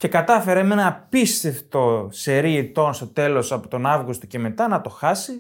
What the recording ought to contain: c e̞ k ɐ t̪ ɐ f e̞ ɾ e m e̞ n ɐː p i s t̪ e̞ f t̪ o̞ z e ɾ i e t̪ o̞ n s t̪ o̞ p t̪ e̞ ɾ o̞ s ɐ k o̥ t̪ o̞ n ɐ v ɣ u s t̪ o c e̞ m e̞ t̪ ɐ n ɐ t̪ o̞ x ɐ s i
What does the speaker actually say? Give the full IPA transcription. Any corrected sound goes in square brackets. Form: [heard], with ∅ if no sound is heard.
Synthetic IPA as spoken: c e̞ k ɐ t̪ ɐ f e̞ ɾ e m e̞ n ɐː p i s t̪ e̞ f t̪ o̞ [s] e ɾ i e t̪ o̞ n s t̪ o̞ [∅] t̪ e̞ [l] o̞ s ɐ [p] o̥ t̪ o̞ n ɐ v ɣ u s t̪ o c e̞ m e̞ t̪ ɐ n ɐ t̪ o̞ x ɐ s i